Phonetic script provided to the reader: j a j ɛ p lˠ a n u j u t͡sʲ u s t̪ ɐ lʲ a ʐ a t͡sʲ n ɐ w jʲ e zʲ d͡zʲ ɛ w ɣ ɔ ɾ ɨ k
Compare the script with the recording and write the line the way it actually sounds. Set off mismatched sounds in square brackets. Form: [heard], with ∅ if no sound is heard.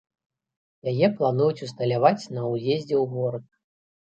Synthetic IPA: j a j ɛ p lˠ a n u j u t͡sʲ u s t̪ ɐ lʲ a [v] a t͡sʲ n ɐ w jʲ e zʲ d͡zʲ ɛ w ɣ ɔ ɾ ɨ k